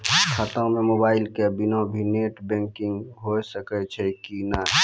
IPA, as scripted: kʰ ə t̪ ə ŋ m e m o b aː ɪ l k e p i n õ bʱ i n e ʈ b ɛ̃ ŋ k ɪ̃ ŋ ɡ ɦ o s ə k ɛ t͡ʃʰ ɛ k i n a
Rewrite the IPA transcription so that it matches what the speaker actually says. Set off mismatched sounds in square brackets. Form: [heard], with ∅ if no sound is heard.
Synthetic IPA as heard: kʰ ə t̪ ə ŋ m e m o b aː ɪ l k e [b] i n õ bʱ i n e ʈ b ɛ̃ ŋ k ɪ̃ ŋ ɡ ɦ o s ə k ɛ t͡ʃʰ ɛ k i n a